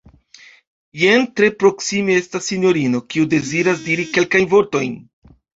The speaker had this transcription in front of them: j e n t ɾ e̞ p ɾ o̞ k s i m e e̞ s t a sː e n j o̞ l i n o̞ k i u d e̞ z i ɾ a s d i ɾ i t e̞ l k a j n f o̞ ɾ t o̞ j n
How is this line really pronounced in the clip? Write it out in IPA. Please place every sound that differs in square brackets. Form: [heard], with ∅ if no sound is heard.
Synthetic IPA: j e n t ɾ e̞ p ɾ o̞ k s i m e e̞ s t a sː [i] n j o̞ [ɾ] i n o̞ k i u d e̞ z i ɾ a s d i ɾ i [k] e̞ l k a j n [v] o̞ ɾ t o̞ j n